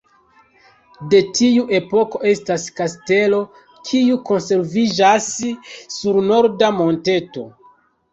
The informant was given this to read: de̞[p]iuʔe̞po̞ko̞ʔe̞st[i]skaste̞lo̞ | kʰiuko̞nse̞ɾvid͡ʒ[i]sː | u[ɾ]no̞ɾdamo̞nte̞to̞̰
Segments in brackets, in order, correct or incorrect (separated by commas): incorrect, incorrect, incorrect, correct